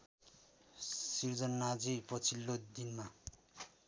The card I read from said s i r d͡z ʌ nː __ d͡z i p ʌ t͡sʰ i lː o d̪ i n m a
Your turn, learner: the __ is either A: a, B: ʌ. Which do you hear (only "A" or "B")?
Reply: A